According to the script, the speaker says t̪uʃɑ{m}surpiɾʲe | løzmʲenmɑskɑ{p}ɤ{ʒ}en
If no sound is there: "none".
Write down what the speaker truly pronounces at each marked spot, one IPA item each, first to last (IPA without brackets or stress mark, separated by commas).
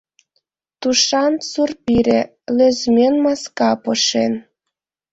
n, p, ʃ